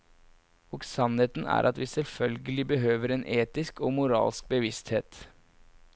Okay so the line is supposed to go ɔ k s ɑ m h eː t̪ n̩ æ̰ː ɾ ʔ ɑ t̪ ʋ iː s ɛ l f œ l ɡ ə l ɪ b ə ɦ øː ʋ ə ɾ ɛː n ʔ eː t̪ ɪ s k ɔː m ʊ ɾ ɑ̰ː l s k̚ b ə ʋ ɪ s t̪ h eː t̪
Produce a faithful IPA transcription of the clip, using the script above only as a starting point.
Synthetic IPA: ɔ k s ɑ n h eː t̪ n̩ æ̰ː ɾ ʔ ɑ t̪ ʋ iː s ɛ l f œ l ɡ ə l ɪ b ə ɦ øː ʋ ə ɾ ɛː n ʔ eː t̪ ɪ s k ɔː m ʊ ɾ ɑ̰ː l s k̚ b ə ʋ ɪ s t̪ h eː t̪